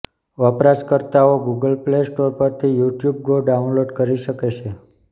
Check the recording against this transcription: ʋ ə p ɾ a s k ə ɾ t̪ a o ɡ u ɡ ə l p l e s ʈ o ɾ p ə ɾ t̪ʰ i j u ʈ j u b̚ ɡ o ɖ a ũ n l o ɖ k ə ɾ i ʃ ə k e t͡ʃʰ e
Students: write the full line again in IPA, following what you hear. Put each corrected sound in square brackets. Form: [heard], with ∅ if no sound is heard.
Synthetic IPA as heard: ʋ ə p ɾ a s k ə ɾ t̪ a o ɡ u ɡ ə l p l e s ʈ o ɾ p ə ɾ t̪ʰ i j u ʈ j u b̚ ɡ o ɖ a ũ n l o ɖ k ə ɾ i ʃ ə k e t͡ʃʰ e